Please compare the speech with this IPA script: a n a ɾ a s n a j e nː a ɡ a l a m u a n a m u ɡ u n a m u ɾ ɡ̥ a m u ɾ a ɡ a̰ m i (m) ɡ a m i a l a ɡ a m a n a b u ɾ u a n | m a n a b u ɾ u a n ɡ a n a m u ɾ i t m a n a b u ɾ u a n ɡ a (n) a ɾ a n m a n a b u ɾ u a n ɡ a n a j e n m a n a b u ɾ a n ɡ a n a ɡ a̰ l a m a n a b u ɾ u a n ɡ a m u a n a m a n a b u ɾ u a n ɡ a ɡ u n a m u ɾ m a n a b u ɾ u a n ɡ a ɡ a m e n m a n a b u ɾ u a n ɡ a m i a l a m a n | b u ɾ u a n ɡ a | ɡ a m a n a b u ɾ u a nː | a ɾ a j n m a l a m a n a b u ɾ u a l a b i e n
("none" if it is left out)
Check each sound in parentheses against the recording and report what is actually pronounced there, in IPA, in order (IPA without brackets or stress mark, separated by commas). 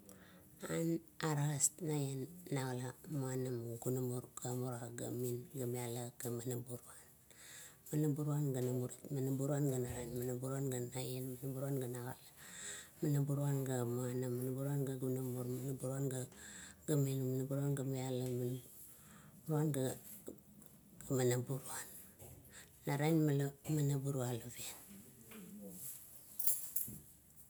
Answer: n, n